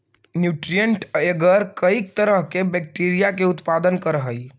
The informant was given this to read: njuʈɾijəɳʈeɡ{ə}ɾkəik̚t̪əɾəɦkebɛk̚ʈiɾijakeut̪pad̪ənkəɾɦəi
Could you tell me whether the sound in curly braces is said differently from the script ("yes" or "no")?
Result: no